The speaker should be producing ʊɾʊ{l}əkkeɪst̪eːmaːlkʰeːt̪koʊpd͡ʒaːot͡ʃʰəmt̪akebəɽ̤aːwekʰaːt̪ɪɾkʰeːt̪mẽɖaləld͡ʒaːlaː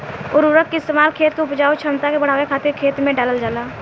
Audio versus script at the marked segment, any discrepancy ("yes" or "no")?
yes